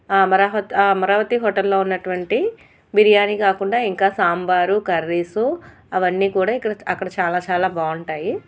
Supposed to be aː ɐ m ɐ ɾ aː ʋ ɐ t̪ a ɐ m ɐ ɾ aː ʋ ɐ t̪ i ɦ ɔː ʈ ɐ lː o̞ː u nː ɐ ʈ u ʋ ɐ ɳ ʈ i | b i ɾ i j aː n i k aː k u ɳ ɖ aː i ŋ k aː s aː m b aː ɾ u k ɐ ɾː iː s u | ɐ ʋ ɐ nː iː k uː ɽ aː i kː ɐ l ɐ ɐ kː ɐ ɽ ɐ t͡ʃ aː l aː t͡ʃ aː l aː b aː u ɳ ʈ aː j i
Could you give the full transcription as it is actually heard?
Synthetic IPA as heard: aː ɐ m ɐ ɾ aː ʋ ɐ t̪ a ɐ m ɐ ɾ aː ʋ ɐ t̪ i ɦ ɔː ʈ ɐ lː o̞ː u nː ɐ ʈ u ʋ ɐ ɳ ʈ i | b i ɾ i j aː n i k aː k u ɳ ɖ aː i ŋ k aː s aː m b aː ɾ u k ɐ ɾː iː s u | ɐ ʋ ɐ nː iː k uː ɽ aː i kː ɐ ɽ ɐ ɐ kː ɐ ɽ ɐ t͡ʃ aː l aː t͡ʃ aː l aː b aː u ɳ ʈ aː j i